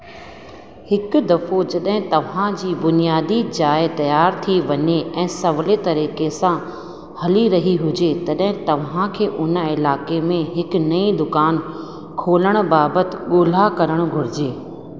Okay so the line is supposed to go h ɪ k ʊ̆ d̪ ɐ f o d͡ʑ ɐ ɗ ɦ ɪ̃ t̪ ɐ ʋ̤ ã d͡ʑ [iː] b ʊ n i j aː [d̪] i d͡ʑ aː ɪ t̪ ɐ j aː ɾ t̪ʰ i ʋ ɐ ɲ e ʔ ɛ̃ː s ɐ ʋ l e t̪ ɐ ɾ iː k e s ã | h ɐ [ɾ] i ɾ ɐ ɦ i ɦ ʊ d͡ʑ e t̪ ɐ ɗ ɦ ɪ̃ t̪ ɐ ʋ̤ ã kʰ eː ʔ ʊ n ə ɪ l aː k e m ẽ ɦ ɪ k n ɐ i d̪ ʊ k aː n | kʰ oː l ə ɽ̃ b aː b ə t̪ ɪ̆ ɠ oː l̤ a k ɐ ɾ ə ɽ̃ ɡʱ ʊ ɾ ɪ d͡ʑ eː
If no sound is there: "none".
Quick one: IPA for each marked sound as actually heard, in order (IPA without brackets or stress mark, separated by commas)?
iː, d̪, l